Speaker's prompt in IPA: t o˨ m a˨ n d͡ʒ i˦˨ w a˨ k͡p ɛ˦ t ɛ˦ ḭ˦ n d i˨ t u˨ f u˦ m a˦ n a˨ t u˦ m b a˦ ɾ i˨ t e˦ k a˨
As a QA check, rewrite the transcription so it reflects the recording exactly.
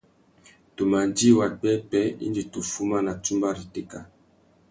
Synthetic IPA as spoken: t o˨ m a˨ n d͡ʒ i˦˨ w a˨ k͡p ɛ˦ p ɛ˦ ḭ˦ n d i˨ t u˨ f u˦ m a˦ n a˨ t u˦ m b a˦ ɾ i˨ t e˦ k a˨